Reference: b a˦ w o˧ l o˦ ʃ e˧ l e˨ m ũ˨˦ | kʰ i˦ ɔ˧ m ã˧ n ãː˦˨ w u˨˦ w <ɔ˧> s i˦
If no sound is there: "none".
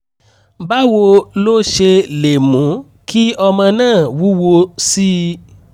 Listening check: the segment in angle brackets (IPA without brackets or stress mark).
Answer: o˧